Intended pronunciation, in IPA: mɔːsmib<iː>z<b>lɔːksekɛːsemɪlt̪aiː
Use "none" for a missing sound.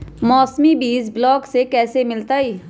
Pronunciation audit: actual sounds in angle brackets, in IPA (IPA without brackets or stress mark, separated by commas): iː, b